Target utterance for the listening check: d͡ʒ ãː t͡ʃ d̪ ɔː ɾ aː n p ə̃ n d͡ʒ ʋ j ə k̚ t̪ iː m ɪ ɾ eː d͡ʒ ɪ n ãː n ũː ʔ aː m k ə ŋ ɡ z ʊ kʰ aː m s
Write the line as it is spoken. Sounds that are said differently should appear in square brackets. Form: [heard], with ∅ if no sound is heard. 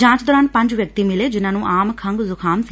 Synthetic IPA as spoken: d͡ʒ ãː t͡ʃ d̪ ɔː ɾ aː n p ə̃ [ɲ] d͡ʒ ʋ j ə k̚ t̪ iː m ɪ [l] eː d͡ʒ ɪ n ãː n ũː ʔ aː m [kʰ] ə ŋ ɡ z ʊ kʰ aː m s

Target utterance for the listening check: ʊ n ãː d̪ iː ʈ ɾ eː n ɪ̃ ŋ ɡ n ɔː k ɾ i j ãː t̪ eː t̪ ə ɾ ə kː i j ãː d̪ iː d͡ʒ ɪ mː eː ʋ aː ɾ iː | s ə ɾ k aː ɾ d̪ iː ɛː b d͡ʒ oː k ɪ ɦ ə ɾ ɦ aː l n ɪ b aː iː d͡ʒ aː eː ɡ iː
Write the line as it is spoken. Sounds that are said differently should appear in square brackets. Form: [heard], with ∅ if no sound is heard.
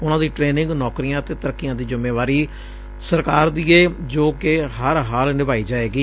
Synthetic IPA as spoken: ʊ n ãː d̪ iː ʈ ɾ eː n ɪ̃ ŋ ɡ n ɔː k ɾ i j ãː t̪ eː t̪ ə ɾ ə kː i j ãː d̪ iː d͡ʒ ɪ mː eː ʋ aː ɾ iː | s ə ɾ k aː ɾ d̪ iː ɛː [∅] d͡ʒ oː k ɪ ɦ ə ɾ ɦ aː l n ɪ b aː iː d͡ʒ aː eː ɡ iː

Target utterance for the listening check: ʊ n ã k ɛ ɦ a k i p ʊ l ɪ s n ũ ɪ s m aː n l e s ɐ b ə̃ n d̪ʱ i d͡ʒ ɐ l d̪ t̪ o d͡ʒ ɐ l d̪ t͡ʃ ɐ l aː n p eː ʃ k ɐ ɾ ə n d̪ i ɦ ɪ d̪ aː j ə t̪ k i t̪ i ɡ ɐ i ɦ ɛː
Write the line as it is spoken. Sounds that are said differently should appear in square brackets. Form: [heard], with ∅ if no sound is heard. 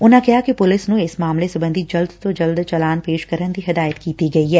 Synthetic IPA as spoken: ʊ n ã k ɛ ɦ a k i p ʊ l ɪ s n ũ ɪ s m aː [m] l e s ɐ b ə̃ n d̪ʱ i d͡ʒ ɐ l d̪ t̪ o d͡ʒ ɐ l d̪ t͡ʃ ɐ l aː n p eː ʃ k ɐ ɾ ə n d̪ i ɦ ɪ d̪ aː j ə t̪ k [iː] t̪ i ɡ ɐ i ɦ ɛː

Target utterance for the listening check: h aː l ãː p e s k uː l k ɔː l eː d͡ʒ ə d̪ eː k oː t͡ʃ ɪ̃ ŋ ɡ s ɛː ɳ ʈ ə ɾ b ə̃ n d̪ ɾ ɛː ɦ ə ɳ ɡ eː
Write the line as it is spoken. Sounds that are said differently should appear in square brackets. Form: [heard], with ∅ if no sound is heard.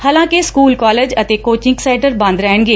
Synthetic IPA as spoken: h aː l ãː [k] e s k uː l k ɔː l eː d͡ʒ ə [t̪] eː k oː t͡ʃ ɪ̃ ŋ ɡ s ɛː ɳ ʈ ə ɾ b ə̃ n d̪ ɾ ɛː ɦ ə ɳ ɡ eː

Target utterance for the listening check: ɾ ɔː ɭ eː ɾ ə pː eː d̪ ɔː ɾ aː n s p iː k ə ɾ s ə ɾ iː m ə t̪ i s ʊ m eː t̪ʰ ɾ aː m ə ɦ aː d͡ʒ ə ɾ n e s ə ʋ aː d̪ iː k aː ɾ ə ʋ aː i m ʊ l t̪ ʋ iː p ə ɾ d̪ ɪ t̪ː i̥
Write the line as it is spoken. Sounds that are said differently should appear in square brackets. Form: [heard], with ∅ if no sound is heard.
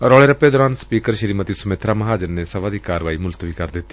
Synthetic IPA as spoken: ɾ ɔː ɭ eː ɾ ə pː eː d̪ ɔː ɾ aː n s p iː k ə ɾ [ʃ] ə ɾ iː m ə t̪ i s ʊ m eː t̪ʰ ɾ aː m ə ɦ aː d͡ʒ ə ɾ n e s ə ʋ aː d̪ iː k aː ɾ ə ʋ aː i m ʊ l t̪ ʋ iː [k] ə ɾ d̪ ɪ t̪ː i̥

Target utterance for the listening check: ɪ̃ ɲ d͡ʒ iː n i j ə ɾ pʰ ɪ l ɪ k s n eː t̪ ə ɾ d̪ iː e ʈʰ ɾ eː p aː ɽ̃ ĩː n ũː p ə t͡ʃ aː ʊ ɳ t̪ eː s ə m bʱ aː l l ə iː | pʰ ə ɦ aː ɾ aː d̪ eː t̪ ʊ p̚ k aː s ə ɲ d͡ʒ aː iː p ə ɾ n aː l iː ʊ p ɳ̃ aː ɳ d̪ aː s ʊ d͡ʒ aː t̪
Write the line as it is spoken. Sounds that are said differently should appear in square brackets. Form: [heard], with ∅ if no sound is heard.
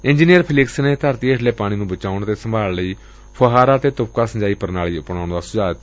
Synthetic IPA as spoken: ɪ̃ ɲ d͡ʒ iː n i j ə ɾ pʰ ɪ l ɪ k s n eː t̪ ə ɾ [t̪] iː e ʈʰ [l] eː p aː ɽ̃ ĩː n ũː [b] ə t͡ʃ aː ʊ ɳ t̪ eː s ə m bʱ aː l l ə iː | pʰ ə ɦ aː ɾ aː [t̪] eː t̪ ʊ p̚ k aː s ə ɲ d͡ʒ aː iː p ə ɾ n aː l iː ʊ p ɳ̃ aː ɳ d̪ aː s ʊ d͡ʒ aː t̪

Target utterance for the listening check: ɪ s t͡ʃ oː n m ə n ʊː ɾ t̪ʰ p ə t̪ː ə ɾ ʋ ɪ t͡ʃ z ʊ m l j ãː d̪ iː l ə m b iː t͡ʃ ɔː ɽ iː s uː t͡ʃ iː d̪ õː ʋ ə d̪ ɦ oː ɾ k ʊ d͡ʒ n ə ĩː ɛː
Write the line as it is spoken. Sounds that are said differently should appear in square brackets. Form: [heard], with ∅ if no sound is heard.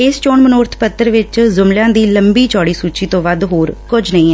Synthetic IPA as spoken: ɪ s t͡ʃ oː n m ə n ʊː ɾ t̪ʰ p ə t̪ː ə ɾ ʋ ɪ t͡ʃ z ʊ m l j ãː d̪ iː l ə m b iː t͡ʃ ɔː ɽ iː s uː t͡ʃ iː [t̪] õː ʋ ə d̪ ɦ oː ɾ k ʊ d͡ʒ n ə ĩː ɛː

